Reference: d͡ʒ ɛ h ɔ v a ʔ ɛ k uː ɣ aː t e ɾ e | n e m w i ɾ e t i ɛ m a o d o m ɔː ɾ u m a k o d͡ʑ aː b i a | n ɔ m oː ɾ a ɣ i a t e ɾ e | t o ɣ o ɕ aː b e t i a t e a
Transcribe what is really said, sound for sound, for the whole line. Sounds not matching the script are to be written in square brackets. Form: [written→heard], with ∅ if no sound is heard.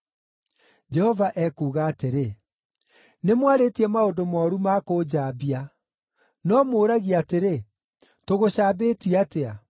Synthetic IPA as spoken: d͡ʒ ɛ h ɔ v a ʔ ɛ k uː ɣ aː t e ɾ e | n e m w [i→a] ɾ e t i ɛ m a o d o m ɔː ɾ u m a k o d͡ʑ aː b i a | n ɔ m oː ɾ a ɣ i a t e ɾ e | t o ɣ o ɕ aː b e t i a t e a